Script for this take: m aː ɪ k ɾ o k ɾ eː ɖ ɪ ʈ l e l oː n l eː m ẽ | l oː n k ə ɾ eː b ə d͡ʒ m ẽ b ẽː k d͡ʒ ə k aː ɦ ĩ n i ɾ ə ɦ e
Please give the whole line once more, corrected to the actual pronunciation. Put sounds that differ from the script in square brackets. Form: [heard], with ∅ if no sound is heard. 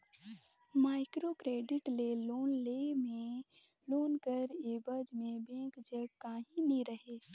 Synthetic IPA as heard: m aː ɪ k ɾ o k ɾ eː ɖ ɪ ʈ l e l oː n l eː m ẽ | l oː n k ə ɾ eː b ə d͡ʒ m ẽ b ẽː k d͡ʒ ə k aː ɦ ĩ n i ɾ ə ɦ e